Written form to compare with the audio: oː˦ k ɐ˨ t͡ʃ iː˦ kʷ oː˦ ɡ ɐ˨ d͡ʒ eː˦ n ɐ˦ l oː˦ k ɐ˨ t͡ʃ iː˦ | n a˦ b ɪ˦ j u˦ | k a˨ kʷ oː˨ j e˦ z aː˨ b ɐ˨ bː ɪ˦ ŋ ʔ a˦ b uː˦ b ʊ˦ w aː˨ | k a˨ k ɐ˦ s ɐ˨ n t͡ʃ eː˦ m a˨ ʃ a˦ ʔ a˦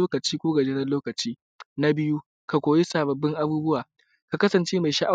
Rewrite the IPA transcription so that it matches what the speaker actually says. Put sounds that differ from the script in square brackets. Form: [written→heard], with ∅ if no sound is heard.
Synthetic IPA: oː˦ k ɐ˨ t͡ʃ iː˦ kʷ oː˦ ɡ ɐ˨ d͡ʒ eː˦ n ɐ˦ l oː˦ k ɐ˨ t͡ʃ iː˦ | n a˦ b ɪ˦ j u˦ | k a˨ kʷ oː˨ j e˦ [z→s] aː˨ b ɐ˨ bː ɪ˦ ŋ ʔ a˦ b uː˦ b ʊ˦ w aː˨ | k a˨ k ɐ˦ s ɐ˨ n t͡ʃ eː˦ m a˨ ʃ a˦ ʔ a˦